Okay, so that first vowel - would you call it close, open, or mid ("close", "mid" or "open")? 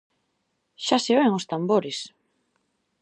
open